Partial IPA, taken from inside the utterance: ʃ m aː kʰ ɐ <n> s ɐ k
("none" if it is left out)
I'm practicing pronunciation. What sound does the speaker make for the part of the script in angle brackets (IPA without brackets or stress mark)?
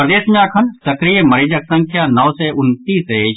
n